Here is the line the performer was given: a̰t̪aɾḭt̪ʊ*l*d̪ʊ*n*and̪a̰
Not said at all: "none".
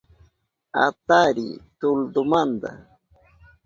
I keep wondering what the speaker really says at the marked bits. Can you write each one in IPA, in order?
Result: l, m

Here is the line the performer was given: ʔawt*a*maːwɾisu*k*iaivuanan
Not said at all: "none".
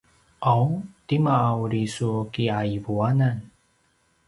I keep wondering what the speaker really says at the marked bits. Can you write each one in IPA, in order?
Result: i, k

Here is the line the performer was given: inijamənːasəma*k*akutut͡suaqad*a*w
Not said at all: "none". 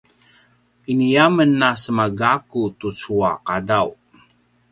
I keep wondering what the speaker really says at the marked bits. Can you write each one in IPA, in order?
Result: ɡ, a

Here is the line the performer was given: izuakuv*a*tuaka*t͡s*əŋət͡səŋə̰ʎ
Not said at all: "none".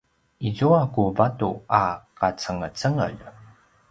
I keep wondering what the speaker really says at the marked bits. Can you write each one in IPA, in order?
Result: a, t͡s

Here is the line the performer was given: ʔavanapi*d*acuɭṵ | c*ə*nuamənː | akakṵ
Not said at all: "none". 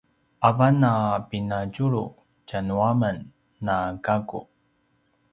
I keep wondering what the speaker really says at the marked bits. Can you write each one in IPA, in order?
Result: n, a

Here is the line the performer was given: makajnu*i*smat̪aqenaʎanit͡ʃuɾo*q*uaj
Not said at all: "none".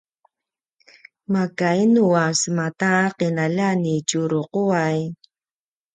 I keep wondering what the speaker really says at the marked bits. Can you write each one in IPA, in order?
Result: a, q

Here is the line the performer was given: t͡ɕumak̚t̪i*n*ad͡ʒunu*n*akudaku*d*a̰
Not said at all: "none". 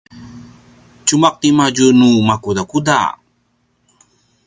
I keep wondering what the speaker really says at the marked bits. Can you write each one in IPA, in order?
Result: m, m, d

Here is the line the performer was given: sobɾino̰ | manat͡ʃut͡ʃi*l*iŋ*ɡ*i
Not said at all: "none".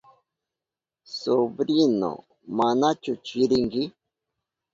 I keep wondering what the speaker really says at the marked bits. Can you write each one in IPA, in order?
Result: ɾ, ɡ

